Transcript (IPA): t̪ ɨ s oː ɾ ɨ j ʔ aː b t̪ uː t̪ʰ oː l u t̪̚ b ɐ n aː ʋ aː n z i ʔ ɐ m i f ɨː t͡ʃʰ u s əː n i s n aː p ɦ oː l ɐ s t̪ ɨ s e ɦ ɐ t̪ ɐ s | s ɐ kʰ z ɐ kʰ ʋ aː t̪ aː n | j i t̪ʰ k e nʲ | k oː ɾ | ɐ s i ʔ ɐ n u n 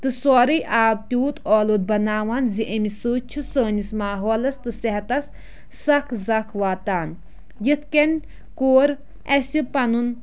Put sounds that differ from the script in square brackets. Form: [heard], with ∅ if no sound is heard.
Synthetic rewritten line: t̪ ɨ s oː ɾ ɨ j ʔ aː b t̪ uː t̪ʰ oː l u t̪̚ b ɐ n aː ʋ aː n z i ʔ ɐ m i [s] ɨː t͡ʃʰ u s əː n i s [m] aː [∅] ɦ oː l ɐ s t̪ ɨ s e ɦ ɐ t̪ ɐ s | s ɐ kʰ z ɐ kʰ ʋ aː t̪ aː n | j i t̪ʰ k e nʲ | k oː ɾ | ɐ s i [p] ɐ n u n